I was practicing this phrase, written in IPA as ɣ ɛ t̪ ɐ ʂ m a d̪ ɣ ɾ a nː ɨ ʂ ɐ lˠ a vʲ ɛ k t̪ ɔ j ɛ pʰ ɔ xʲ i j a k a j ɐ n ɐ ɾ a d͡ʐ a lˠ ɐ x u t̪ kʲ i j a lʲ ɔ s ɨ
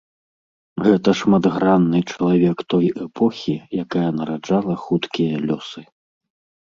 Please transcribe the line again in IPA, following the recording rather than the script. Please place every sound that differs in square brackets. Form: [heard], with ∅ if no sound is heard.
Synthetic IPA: ɣ ɛ t̪ ɐ ʂ m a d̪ ɣ ɾ a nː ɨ [t͡ʂ] ɐ lˠ a vʲ ɛ k t̪ ɔ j ɛ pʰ ɔ xʲ i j a k a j ɐ n ɐ ɾ a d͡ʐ a lˠ ɐ x u t̪ kʲ i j [ɐ] lʲ ɔ s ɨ